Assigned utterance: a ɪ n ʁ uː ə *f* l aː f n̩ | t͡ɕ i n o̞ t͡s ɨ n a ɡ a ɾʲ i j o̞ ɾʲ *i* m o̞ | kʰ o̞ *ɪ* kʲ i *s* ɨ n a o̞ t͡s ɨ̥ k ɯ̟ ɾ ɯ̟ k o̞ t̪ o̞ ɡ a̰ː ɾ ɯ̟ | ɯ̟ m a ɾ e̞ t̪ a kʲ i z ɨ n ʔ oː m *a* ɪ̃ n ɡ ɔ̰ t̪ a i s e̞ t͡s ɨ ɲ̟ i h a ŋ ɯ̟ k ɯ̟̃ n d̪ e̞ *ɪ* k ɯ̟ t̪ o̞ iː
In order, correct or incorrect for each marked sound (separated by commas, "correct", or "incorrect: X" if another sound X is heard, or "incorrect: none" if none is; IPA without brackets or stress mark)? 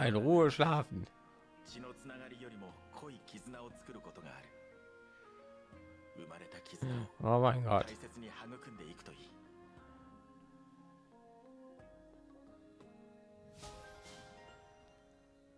incorrect: ʃ, correct, incorrect: i, incorrect: z, correct, incorrect: i